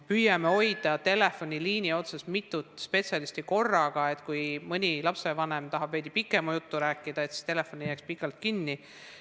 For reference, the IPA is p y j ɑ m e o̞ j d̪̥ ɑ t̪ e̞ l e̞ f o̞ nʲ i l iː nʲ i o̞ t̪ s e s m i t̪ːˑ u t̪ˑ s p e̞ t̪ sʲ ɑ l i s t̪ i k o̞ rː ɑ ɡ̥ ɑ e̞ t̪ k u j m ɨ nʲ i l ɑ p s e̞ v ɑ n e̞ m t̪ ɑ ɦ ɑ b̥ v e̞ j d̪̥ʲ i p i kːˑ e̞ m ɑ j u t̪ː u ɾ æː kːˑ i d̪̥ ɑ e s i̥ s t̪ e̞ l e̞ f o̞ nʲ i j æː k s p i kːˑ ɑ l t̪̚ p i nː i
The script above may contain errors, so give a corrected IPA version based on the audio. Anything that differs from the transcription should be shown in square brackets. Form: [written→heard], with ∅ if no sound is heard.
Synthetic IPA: p y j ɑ m e o̞ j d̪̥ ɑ t̪ e̞ l e̞ f o̞ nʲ i l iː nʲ i o̞ t̪ s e s m i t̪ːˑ u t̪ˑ s p e̞ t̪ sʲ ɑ l i s t̪ i k o̞ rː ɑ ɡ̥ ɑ e̞ t̪ k u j m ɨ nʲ i l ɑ p s e̞ v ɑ n e̞ m t̪ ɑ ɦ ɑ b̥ v e̞ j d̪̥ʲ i p i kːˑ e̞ m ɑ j u t̪ː u ɾ æː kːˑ i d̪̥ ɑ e s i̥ s t̪ e̞ l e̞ f o̞ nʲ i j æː k s p i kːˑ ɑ l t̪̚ [p→k] i nː i